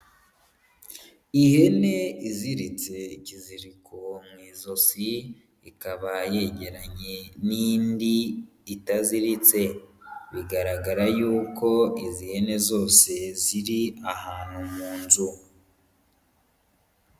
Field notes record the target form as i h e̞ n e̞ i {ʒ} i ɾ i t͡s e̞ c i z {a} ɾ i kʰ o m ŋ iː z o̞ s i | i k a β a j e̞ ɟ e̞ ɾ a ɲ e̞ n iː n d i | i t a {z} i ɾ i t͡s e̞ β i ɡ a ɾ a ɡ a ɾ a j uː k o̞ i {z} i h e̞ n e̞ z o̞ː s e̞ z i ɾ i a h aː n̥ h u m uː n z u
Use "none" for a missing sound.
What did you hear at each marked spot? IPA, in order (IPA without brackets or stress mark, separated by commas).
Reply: z, i, z, z